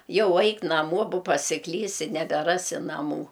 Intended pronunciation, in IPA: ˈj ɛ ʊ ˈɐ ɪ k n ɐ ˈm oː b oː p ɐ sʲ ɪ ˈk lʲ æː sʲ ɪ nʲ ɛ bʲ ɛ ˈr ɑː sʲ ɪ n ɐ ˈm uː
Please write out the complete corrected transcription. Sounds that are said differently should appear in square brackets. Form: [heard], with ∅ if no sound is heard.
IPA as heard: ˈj ɛ ʊ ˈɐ ɪ k n ɐ ˈm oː b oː p ɐ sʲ ɪ ˈk lʲ [iː] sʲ ɪ nʲ ɛ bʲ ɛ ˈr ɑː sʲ ɪ n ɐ ˈm uː